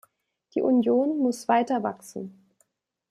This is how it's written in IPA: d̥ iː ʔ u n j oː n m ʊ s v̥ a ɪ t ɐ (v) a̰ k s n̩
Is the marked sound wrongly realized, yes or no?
no